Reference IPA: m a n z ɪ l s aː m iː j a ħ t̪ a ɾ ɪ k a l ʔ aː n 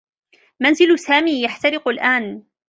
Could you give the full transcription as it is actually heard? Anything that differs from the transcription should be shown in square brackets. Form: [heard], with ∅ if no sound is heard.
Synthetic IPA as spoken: m a n z ɪ l s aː m iː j a ħ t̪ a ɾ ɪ [q] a l ʔ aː n